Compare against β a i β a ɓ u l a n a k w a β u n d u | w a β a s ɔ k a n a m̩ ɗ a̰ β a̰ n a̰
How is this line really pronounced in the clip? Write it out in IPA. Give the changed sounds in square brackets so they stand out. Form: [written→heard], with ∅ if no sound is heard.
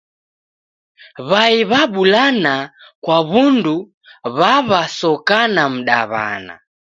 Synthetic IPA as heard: β a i β a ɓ u l a n a k w a β u n d u | [w→β] a β a s ɔ k a n a m̩ ɗ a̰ β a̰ n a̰